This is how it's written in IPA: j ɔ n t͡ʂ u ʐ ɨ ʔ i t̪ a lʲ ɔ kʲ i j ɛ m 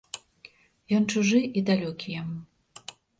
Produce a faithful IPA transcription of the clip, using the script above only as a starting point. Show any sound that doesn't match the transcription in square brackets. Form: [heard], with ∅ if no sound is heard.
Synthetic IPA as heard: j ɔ n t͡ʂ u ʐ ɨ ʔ i [d̪] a lʲ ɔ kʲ i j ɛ m